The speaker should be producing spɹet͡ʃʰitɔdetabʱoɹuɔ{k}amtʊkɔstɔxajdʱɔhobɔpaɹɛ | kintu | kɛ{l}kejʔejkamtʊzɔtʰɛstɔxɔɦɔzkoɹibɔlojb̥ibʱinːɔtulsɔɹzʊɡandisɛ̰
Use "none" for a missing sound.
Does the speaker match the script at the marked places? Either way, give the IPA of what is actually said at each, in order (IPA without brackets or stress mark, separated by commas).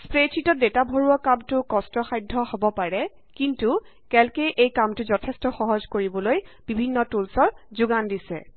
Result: k, l